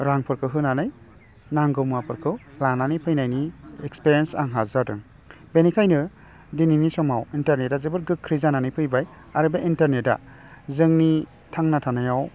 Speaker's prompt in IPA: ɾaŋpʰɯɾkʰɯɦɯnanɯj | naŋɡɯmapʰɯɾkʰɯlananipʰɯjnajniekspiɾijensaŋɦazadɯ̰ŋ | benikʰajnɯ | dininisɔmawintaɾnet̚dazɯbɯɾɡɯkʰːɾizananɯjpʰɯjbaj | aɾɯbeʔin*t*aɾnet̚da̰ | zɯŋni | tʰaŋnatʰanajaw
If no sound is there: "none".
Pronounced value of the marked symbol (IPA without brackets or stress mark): t